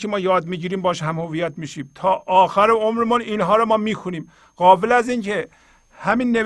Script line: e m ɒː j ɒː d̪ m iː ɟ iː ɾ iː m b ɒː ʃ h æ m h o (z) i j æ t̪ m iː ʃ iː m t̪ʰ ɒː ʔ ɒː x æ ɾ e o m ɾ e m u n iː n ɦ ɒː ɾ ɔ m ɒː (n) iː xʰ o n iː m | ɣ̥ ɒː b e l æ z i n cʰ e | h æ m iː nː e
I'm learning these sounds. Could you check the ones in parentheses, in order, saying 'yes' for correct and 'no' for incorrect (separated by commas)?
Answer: no, no